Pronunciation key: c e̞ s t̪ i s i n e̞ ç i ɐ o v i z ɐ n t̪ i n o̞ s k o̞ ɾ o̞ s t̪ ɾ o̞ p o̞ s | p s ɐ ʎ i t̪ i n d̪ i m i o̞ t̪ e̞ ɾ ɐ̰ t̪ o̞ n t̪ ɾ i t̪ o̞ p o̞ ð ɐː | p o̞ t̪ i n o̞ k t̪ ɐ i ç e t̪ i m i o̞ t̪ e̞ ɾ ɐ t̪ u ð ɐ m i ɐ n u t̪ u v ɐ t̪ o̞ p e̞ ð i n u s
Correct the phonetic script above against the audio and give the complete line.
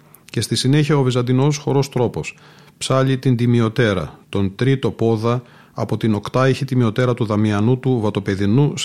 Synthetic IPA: c e̞ s t̪ i s i n e̞ ç i ɐ o v i z ɐ n d̪ i n o̞ s x o̞ ɾ o̞ s t̪ ɾ o̞ p o̞ s | p s ɐ ʎ i t̪ i n d̪ i m i o̞ t̪ e̞ ɾ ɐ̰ t̪ o̞ n t̪ ɾ i t̪ o̞ p o̞ ð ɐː | p o̞ t̪ i n o̞ k t̪ ɐ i ç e t̪ i m i o̞ t̪ e̞ ɾ ɐ t̪ u ð ɐ m i ɐ n u t̪ u v ɐ t̪ o̞ p e̞ ð i n u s